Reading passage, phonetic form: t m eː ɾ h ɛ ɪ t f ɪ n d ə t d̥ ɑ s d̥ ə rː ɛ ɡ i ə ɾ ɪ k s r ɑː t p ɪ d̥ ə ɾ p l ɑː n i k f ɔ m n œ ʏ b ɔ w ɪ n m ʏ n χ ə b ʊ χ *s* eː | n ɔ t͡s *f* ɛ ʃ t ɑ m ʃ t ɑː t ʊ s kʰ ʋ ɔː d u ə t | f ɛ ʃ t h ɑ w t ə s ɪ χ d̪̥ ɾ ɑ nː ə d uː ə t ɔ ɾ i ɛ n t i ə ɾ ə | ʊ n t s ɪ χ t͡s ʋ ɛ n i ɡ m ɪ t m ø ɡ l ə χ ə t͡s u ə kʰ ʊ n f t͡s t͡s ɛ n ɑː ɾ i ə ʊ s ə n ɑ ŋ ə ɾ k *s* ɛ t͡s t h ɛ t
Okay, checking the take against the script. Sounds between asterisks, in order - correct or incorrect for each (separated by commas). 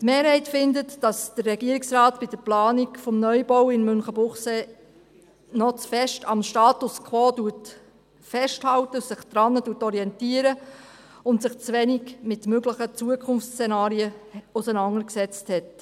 correct, correct, correct